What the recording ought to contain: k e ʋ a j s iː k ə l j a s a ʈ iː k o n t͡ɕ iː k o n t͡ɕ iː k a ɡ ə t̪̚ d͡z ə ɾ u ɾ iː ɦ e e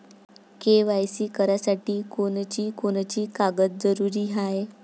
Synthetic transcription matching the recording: k e ʋ a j s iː k ə ɾ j a s a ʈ iː k o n t͡ɕ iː k o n t͡ɕ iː k a ɡ ə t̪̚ d͡z ə ɾ u ɾ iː ɦ a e